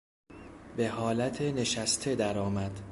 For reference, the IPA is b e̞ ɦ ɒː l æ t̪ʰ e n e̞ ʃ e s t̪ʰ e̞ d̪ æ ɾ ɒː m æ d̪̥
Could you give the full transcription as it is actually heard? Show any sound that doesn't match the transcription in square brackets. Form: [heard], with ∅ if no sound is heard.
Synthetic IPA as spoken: b e̞ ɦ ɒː l æ t̪ʰ e n e̞ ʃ [æ] s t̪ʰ e̞ d̪ æ ɾ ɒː m æ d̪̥